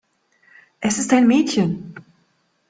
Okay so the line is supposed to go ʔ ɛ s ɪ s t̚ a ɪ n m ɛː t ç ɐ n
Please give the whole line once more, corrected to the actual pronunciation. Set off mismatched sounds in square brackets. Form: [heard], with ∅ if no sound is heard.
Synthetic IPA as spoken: ʔ ɛ s ɪ s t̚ a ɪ n m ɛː t ç [ə] n